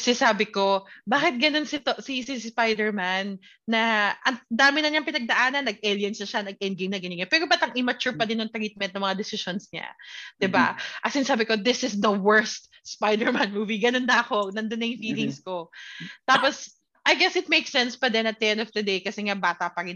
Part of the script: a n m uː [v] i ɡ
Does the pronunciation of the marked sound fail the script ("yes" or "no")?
no